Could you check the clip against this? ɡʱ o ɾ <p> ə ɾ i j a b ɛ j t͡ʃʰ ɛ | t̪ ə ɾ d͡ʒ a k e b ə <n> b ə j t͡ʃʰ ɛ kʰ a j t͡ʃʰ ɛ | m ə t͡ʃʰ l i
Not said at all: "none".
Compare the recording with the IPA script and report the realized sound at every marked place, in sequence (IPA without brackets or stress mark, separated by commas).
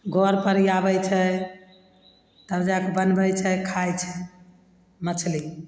p, n